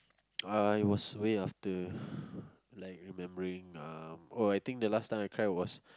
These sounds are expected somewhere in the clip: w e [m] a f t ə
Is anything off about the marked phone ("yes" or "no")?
yes